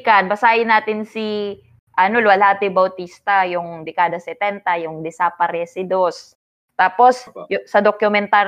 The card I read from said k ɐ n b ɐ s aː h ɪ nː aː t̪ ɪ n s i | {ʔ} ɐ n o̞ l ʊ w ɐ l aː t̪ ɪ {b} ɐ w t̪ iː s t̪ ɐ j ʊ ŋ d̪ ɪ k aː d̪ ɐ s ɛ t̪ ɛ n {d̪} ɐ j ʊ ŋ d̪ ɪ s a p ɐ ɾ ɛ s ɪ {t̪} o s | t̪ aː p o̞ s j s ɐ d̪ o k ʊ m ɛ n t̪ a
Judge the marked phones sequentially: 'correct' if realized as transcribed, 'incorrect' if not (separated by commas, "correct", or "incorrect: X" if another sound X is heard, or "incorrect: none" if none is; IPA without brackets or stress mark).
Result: correct, correct, incorrect: t̪, incorrect: d̪